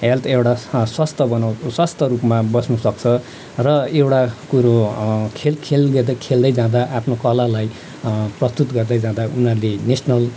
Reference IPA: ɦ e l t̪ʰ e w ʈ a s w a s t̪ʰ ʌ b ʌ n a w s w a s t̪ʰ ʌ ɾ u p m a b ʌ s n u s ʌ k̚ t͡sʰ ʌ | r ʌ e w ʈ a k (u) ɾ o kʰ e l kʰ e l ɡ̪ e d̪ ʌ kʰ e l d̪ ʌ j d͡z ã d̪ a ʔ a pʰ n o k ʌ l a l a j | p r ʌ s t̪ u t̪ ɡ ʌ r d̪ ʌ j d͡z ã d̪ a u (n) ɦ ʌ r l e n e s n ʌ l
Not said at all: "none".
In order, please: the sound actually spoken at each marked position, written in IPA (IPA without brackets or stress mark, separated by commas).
u, n